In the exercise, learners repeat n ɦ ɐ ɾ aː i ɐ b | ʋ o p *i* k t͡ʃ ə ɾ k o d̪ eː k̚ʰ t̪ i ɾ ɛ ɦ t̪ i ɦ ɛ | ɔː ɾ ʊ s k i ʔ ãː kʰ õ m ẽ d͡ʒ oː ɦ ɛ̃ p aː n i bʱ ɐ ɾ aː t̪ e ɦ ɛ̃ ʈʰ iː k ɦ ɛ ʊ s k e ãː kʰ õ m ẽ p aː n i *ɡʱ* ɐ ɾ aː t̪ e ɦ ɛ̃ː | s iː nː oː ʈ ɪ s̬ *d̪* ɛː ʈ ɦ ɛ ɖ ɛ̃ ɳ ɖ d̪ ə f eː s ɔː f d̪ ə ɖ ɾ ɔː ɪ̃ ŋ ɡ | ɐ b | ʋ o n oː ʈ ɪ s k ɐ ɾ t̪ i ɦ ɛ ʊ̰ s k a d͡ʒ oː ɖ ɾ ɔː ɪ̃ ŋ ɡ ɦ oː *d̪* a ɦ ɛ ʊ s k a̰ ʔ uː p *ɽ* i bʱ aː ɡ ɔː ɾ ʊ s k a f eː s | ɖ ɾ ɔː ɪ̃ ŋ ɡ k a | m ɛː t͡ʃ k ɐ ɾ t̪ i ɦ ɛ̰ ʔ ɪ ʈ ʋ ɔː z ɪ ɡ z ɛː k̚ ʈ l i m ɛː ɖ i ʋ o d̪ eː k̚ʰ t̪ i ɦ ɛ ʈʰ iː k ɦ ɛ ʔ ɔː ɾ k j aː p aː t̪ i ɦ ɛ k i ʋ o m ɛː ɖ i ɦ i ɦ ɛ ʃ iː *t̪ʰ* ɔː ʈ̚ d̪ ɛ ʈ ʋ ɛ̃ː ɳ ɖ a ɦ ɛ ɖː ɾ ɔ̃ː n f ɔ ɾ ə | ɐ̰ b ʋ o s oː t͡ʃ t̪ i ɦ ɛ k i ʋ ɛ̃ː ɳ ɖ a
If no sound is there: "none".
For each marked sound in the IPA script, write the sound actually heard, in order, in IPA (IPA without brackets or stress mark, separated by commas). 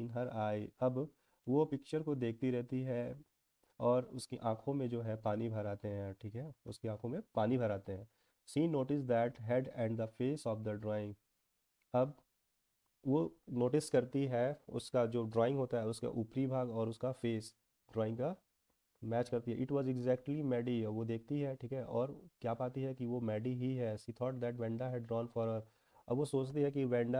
ɪ, bʱ, d̪, t̪, ɾ, t̪ʰ